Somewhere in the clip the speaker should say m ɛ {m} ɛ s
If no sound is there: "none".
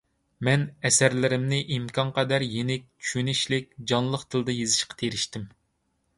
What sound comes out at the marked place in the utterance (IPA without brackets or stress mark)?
n